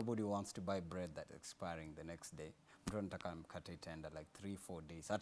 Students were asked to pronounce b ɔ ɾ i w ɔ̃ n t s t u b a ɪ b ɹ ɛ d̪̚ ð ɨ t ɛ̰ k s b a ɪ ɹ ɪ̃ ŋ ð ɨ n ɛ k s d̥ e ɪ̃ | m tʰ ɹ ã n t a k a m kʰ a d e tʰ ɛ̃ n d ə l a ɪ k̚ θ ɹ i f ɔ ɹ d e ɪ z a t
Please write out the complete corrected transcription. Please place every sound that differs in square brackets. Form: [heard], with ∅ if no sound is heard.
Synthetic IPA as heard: b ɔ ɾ i w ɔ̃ n t s t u b a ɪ b ɹ ɛ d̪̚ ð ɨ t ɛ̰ k s [p] a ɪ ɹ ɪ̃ ŋ ð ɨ n ɛ k s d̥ e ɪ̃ | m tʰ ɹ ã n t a k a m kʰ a [t] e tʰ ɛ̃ n d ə l a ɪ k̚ θ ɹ i f ɔ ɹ d e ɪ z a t